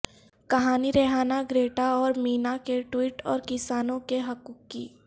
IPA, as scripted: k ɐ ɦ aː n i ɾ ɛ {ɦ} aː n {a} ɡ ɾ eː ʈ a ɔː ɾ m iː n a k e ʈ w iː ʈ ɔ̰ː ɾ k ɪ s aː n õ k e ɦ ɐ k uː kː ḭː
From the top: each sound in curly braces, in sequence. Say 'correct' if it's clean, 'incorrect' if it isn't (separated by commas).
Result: correct, correct